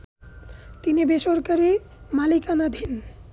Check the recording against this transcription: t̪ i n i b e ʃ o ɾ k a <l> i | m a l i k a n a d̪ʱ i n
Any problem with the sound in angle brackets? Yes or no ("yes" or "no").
yes